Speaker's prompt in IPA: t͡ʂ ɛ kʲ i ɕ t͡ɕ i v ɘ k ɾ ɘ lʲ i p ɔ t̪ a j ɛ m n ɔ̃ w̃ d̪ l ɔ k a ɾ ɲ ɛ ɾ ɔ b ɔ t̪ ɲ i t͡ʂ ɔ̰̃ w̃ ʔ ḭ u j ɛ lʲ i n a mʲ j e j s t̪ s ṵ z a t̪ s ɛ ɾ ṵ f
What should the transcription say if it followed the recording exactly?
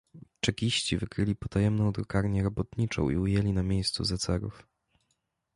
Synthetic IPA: t͡ʂ ɛ kʲ i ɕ t͡ɕ i v ɘ k ɾ ɘ lʲ i p ɔ t̪ a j ɛ m n ɔ̃ w̃ d̪ ɾ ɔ k a ɾ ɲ ɛ ɾ ɔ b ɔ t̪ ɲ i t͡ʂ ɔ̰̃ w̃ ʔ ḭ u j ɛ lʲ i n a mʲ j e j s t̪ s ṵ z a t̪ s ɛ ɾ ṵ f

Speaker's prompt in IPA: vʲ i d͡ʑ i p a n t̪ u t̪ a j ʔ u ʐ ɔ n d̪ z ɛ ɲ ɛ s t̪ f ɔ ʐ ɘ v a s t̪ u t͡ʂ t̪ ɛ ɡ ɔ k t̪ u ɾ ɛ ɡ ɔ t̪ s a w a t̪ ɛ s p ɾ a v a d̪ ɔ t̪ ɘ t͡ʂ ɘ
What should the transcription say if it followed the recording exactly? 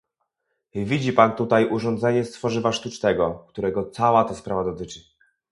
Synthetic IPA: vʲ i d͡ʑ i p a n t̪ u t̪ a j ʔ u ʐ ɔ n d̪ z ɛ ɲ ɛ s t̪ f ɔ ʐ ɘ v a ʂ t̪ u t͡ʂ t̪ ɛ ɡ ɔ k t̪ u ɾ ɛ ɡ ɔ t̪ s a w a t̪ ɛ s p ɾ a v a d̪ ɔ t̪ ɘ t͡ʂ ɘ

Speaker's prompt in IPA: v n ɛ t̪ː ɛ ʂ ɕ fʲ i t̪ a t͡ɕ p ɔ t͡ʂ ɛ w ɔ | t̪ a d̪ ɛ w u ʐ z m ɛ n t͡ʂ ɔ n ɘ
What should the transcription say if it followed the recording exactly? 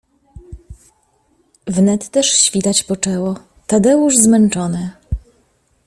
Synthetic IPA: v n ɛ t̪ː ɛ ʂ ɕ fʲ i t̪ a t͡ɕ p ɔ t͡ʂ ɛ w ɔ | t̪ a d̪ ɛ w u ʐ z m ɛ n t͡ʂ ɔ n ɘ

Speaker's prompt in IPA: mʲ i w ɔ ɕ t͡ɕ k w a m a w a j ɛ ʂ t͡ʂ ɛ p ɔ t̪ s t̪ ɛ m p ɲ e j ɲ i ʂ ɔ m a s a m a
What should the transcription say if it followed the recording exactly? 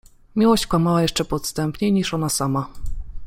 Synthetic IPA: mʲ i w ɔ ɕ t͡ɕ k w a m a w a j ɛ ʂ t͡ʂ ɛ p ɔ t̪ s t̪ ɛ m p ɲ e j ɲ i ʂ ɔ n a s a m a

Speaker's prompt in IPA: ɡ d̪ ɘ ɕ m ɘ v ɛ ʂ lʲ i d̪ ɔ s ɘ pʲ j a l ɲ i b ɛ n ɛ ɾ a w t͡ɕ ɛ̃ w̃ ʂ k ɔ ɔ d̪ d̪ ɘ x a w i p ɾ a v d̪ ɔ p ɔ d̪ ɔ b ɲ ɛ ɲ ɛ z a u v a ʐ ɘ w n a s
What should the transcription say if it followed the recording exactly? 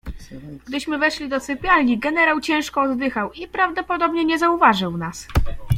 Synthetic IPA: ɡ d̪ ɘ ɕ m ɘ v ɛ ʂ lʲ i d̪ ɔ s ɘ pʲ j a l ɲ i ɡ ɛ n ɛ ɾ a w t͡ɕ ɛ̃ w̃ ʂ k ɔ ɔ d̪ d̪ ɘ x a w i p ɾ a v d̪ ɔ p ɔ d̪ ɔ b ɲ ɛ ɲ ɛ z a u v a ʐ ɘ w n a s

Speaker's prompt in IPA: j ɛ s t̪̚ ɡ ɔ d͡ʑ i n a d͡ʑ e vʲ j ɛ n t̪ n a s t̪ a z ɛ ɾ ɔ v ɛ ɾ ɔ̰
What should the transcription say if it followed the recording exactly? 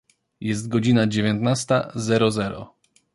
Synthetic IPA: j ɛ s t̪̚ ɡ ɔ d͡ʑ i n a d͡ʑ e vʲ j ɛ n t̪ n a s t̪ a z ɛ ɾ ɔ z ɛ ɾ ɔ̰

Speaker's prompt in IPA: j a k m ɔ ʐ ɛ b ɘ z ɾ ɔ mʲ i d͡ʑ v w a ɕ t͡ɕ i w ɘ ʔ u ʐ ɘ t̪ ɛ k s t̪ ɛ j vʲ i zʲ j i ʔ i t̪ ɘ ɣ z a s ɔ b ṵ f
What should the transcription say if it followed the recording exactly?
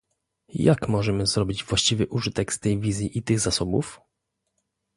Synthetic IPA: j a k m ɔ ʐ ɛ m ɘ z ɾ ɔ bʲ i d͡ʑ v w a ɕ t͡ɕ i v ɘ ʔ u ʐ ɘ t̪ ɛ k s t̪ ɛ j vʲ i zʲ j i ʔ i t̪ ɘ ɣ z a s ɔ b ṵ f

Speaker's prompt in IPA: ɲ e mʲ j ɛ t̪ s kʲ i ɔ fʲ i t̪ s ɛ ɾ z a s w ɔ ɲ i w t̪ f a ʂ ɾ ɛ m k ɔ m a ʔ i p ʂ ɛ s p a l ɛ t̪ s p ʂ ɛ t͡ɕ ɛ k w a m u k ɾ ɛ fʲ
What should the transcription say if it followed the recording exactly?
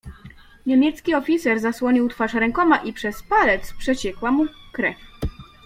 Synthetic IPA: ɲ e mʲ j ɛ t̪ s kʲ i ɔ fʲ i t̪ s ɛ ɾ z a s w ɔ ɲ i w t̪ f a ʂ ɾ ɛ ŋ k ɔ m a ʔ i p ʂ ɛ s p a l ɛ t̪ s p ʂ ɛ t͡ɕ ɛ k w a m u k ɾ ɛ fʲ

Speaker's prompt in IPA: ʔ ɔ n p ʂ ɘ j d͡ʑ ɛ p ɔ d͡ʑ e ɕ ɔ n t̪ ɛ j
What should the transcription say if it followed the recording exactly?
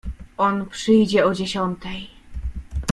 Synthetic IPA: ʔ ɔ n p ʂ ɘ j d͡ʑ ɛ ɔ d͡ʑ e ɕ ɔ n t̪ ɛ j

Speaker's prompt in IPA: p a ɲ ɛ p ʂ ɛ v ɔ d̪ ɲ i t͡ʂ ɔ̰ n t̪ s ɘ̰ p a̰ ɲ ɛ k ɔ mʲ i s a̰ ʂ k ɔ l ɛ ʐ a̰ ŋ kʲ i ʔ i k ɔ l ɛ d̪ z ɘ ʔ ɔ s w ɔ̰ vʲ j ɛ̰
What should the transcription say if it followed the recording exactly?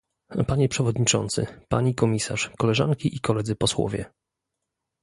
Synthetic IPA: p a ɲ ɛ p ʂ ɛ v ɔ d̪ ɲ i t͡ʂ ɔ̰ n t̪ s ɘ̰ p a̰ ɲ i k ɔ mʲ i s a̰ ʂ k ɔ l ɛ ʐ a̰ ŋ kʲ i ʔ i k ɔ l ɛ d̪ z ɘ p ɔ s w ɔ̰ vʲ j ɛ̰

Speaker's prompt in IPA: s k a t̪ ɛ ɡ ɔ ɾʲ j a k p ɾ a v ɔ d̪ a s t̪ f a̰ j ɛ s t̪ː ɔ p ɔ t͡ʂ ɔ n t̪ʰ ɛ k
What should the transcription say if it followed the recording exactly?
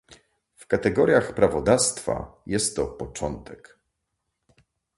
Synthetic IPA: f k a t̪ ɛ ɡ ɔ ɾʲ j a x p ɾ a v ɔ d̪ a s t̪ f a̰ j ɛ s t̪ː ɔ p ɔ t͡ʂ ɔ n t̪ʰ ɛ k

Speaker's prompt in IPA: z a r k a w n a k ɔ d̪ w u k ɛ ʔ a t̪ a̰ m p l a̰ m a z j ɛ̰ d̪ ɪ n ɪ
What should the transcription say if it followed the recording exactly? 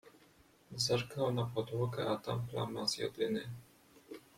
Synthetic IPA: z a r k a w n a p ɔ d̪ w ɔ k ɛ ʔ a t̪ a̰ m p l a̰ m a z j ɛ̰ d̪ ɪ n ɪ

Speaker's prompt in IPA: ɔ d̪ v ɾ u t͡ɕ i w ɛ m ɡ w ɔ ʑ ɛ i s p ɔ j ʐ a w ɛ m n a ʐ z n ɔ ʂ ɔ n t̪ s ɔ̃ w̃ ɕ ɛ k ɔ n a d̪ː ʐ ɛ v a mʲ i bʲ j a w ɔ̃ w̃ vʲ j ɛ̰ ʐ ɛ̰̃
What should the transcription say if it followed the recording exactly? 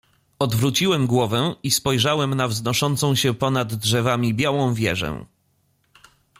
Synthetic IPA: ɔ d̪ v ɾ u t͡ɕ i w ɛ m ɡ w ɔ v ɛ i s p ɔ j ʐ a w ɛ m n a v z n ɔ ʂ ɔ n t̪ s ɔ̃ w̃ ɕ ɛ p ɔ n a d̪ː ʐ ɛ v a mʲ i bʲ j a w ɔ̃ w̃ vʲ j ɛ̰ ʐ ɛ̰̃

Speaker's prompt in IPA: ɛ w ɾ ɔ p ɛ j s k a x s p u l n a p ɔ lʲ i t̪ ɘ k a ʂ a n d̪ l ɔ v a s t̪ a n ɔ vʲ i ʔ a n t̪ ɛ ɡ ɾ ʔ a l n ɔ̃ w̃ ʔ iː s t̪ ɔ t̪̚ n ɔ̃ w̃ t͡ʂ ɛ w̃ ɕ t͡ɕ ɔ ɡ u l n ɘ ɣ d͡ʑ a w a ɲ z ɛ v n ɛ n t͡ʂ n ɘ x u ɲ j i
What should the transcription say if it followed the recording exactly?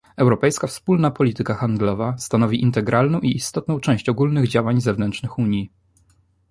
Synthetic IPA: ɛ w ɾ ɔ p ɛ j s k a f s p u l n a p ɔ lʲ i t̪ ɘ k a x a n d̪ l ɔ v a s t̪ a n ɔ vʲ i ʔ i n t̪ ɛ ɡ ɾ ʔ a l n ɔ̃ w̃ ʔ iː s t̪ ɔ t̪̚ n ɔ̃ w̃ t͡ʂ ɛ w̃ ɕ t͡ɕ ɔ ɡ u l n ɘ ɣ d͡ʑ a w a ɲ z ɛ v n ɛ n t͡ʂ n ɘ x u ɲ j i

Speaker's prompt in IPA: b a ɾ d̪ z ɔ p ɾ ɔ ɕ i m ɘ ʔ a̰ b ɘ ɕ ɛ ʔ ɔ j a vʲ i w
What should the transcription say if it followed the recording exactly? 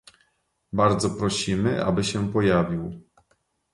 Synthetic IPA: b a ɾ d̪ z ɔ p ɾ ɔ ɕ i m ɘ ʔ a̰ b ɘ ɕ ɛ p ɔ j a vʲ i w

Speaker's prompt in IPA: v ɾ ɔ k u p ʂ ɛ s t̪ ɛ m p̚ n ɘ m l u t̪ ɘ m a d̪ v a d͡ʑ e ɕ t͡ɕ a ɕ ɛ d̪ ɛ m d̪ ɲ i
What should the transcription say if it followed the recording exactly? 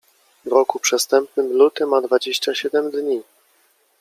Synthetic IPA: v ɾ ɔ k u p ʂ ɛ s t̪ ɛ m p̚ n ɘ m l u t̪ ɘ m a d̪ v a d͡ʑ e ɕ t͡ɕ a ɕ ɛ d̪ ɛ m d̪ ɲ i

